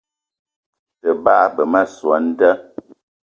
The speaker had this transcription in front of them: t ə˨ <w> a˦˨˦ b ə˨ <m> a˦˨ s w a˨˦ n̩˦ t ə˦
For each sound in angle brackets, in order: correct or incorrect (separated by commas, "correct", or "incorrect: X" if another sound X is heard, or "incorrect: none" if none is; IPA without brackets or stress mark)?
incorrect: b, correct